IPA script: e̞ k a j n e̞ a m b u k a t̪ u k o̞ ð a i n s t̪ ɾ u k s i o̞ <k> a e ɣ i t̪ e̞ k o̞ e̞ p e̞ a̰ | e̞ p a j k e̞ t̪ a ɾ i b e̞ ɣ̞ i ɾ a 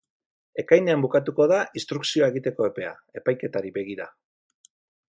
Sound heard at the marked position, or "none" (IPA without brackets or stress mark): none